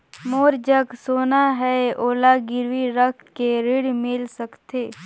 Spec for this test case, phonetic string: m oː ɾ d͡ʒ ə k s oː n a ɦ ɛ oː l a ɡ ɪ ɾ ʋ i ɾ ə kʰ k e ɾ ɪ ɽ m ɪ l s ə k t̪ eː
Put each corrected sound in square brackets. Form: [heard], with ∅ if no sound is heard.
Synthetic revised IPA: m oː ɾ d͡ʒ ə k s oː n a ɦ ɛ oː l a ɡ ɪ ɾ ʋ i ɾ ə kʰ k e ɾ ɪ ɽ m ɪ l s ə k t̪ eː